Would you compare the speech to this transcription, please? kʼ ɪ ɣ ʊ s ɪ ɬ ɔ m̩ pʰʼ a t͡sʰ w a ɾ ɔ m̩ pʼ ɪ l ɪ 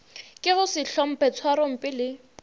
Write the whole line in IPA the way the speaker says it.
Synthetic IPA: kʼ ɪ ɣ ʊ s ɪ ɬ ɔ m̩ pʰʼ ɛ t͡sʰ w a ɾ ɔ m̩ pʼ ɪ l ɪ